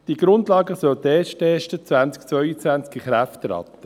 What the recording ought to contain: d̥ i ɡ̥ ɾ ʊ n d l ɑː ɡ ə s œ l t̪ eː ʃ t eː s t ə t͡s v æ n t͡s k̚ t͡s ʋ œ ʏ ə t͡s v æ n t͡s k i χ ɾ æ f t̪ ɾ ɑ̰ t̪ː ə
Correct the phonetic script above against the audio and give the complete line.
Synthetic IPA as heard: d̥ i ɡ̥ ɾ ʊ n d l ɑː ɡ ə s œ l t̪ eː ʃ t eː ʃ t ə t͡s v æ n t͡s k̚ t͡s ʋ œ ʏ ə t͡s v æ n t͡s k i χ ɾ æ f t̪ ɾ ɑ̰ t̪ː ə